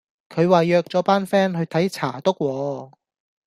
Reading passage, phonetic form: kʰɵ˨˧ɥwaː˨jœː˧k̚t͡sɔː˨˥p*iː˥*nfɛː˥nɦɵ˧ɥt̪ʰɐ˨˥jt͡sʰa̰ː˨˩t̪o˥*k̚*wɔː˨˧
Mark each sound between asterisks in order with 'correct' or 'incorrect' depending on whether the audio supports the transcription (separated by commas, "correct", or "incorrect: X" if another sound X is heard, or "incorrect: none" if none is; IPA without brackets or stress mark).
incorrect: aː˥, correct